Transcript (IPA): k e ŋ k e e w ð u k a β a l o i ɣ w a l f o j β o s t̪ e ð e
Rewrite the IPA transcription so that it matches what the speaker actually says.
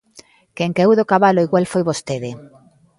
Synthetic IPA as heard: k e ŋ k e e w ð o k a β a l o i ɣ w a l f o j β o s t̪ e ð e

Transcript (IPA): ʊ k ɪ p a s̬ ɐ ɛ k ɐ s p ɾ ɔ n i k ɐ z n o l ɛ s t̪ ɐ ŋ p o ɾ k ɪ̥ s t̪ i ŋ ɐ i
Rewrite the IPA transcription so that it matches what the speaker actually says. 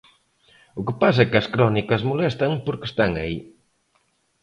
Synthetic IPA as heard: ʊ k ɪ p a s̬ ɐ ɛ k ɐ s k ɾ ɔ n i k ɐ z m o l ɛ s t̪ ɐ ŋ p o ɾ k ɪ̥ s t̪ a ŋ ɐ i

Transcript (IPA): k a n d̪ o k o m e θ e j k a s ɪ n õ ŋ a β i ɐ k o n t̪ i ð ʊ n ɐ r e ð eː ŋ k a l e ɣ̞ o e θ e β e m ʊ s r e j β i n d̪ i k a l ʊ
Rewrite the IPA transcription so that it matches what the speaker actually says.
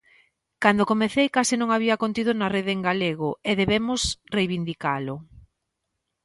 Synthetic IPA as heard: k a n d̪ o k o m e θ e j k a s ɪ n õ ŋ a β i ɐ k o n t̪ i ð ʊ n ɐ r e ð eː ŋ ɡ a l e ɣ̞ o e ð e β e m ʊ s r e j β i n d̪ i k a l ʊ

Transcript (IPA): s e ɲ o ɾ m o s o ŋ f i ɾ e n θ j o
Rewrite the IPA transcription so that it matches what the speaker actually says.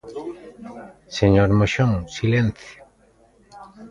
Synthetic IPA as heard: s e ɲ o ɾ m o ʃ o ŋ s i l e n θ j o

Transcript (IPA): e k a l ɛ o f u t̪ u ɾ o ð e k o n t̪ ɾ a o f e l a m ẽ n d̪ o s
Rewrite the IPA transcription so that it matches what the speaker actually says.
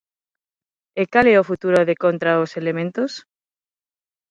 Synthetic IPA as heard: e k a l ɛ o f u t̪ u ɾ o ð e k o n t̪ ɾ a o s e l e m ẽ n t̪ o s

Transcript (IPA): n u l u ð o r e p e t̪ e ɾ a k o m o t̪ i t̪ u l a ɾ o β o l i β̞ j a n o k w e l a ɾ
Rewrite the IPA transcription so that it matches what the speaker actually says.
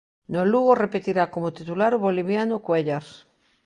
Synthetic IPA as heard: n o l u ɣ o r e p e t̪ i ɾ a k o m o t̪ i t̪ u l a ɾ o β o l i β̞ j a n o k w e ʎ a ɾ

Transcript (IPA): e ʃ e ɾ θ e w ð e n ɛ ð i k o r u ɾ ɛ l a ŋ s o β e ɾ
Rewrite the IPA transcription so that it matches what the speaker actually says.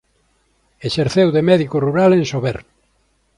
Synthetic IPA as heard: e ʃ e ɾ θ e w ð e m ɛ ð i k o r u ɾ a l e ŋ s o β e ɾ

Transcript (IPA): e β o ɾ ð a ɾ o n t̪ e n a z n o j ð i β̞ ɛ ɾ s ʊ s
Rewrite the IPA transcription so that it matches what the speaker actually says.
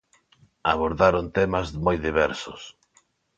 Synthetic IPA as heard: a β o ɾ ð a ɾ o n t̪ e m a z m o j ð i β̞ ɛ ɾ s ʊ s

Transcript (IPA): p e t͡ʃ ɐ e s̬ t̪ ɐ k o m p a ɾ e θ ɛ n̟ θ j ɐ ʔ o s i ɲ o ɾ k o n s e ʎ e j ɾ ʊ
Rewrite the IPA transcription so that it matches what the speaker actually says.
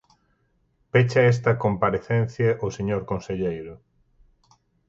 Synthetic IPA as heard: p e t͡ʃ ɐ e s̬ t̪ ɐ k o m p a ɾ e θ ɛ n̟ θ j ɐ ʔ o s e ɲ o ɾ k o n s e ʎ e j ɾ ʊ

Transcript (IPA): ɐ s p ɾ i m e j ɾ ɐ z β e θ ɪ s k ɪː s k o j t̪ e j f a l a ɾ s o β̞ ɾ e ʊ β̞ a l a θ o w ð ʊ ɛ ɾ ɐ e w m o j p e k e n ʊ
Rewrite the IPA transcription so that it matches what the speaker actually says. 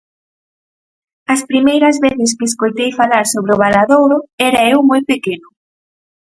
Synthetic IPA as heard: ɐ s p ɾ i m e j ɾ ɐ z β e θ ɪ s k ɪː s k o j t̪ e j f a l a ɾ s o β̞ ɾ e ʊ β̞ a l a ð o w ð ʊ ɛ ɾ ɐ e w m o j p e k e n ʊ

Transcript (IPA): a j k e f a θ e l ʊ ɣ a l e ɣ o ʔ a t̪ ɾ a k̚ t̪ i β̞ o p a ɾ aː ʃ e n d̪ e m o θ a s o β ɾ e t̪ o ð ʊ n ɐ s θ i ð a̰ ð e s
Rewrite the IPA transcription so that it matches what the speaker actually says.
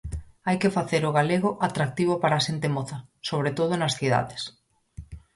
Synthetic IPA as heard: a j k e f a θ e ɾ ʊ ɣ a l e ɣ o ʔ a t̪ ɾ a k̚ t̪ i β̞ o p a ɾ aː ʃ e n t̪ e m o θ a s o β ɾ e t̪ o ð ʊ n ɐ s θ i ð a̰ ð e s

